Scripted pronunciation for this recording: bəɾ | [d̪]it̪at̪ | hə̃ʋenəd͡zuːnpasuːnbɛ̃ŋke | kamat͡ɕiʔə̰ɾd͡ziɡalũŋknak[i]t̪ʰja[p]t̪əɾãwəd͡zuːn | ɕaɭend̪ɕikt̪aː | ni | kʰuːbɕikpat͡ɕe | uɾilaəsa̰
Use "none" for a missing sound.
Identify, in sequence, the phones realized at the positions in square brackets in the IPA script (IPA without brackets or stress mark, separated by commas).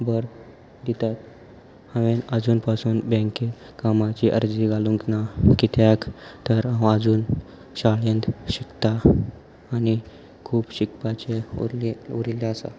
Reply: d̪, i, k